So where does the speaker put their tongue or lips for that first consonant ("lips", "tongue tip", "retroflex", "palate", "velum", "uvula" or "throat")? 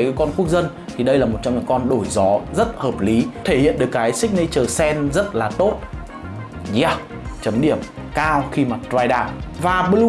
velum